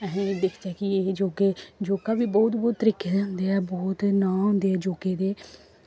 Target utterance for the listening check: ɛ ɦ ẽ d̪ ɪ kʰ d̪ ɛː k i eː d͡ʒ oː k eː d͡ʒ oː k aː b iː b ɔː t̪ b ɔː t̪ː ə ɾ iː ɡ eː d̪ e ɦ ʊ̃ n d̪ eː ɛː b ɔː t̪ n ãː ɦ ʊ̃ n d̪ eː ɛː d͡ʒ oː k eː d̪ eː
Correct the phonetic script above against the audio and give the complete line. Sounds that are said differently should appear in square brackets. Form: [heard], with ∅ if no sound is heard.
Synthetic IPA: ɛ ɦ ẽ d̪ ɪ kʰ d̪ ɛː k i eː d͡ʒ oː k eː d͡ʒ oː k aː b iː b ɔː t̪ b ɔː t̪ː ə ɾ iː [k] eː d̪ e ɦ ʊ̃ n d̪ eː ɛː b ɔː t̪ n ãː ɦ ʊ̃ n d̪ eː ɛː d͡ʒ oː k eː d̪ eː